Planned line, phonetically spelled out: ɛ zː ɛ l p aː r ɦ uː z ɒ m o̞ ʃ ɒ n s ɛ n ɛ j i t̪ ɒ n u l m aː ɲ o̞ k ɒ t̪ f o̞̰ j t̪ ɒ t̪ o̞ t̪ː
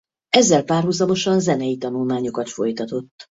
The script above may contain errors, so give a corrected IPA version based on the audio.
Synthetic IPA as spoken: ɛ zː ɛ l p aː r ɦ u z ɒ m o̞ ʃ ɒ n z ɛ n ɛ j i t̪ ɒ n u l m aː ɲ o̞ k ɒ t̪ f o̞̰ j t̪ ɒ t̪ o̞ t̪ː